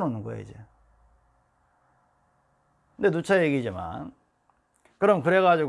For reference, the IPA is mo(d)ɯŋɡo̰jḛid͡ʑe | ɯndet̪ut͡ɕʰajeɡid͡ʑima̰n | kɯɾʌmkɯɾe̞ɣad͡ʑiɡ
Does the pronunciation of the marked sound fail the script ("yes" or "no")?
yes